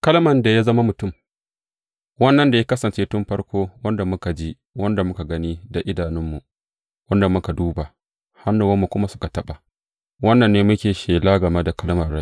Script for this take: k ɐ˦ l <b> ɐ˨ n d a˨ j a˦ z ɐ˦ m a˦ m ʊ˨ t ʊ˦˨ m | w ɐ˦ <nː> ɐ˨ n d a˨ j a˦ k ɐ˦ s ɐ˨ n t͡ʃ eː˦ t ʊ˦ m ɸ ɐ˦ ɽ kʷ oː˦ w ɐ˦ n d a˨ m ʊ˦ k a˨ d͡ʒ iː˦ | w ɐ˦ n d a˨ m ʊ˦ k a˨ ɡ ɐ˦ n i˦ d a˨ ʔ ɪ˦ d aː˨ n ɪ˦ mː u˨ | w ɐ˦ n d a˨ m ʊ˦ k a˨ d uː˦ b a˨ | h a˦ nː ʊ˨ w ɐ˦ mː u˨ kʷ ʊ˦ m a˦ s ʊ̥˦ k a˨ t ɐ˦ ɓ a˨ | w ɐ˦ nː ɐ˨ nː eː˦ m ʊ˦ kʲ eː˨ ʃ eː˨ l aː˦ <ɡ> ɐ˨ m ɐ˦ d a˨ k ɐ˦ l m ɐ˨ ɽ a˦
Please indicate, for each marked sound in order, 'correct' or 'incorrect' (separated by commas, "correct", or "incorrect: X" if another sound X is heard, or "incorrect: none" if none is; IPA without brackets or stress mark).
incorrect: m, correct, correct